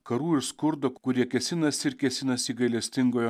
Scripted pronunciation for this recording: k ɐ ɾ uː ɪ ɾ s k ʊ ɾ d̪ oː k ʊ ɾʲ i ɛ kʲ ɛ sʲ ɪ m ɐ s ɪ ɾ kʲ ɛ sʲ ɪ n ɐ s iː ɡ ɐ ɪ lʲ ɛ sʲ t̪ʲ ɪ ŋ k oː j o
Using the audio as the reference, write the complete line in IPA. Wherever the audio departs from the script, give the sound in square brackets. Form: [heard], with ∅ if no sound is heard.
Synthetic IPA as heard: k ɐ ɾ uː ɪ ɾ s k ʊ ɾ d̪ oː k ʊ ɾʲ i ɛ kʲ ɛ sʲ ɪ [n] ɐ s ɪ ɾ kʲ ɛ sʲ ɪ n ɐ s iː ɡ ɐ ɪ lʲ ɛ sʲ t̪ʲ ɪ ŋ [ɡ] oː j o